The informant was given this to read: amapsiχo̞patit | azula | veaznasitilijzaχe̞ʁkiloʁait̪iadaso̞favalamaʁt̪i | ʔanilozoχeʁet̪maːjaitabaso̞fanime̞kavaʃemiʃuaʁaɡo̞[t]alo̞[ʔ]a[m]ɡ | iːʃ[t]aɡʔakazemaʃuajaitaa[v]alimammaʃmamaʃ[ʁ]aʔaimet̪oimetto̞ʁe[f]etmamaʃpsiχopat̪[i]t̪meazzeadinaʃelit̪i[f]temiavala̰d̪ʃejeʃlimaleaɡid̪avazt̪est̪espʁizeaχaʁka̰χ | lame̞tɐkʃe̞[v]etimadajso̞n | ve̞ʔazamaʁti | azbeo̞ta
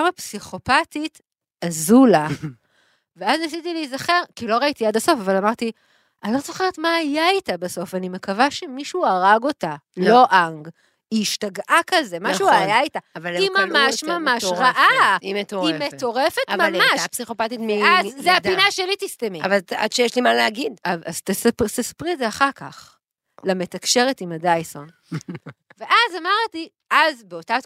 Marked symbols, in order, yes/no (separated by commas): yes, yes, no, yes, yes, yes, yes, yes, no, no